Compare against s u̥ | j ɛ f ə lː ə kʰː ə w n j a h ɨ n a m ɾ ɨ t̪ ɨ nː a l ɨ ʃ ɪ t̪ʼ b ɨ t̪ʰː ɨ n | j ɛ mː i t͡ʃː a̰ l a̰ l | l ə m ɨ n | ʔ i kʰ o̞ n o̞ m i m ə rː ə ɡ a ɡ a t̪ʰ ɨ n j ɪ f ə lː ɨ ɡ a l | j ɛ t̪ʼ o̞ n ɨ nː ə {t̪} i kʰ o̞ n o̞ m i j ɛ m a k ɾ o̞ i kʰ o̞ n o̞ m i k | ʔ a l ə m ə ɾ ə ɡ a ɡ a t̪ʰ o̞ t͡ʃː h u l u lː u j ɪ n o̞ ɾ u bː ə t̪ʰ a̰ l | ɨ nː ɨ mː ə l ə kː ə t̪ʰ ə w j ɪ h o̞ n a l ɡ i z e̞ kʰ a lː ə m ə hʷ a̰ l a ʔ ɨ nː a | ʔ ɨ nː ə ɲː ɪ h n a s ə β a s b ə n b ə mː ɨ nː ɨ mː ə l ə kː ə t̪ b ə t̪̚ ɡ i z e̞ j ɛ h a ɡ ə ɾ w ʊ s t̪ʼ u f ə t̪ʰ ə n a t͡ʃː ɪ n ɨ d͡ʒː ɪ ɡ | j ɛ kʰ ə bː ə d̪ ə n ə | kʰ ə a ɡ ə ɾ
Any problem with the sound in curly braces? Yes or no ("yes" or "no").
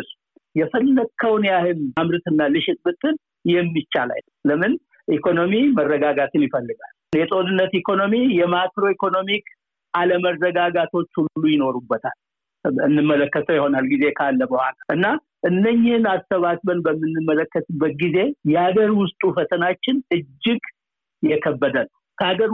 no